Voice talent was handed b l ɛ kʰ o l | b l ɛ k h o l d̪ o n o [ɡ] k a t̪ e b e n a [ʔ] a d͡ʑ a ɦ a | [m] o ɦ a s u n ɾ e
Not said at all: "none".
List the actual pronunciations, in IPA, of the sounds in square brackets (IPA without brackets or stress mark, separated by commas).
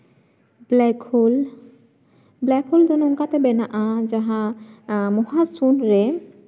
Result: ŋ, ʔ, m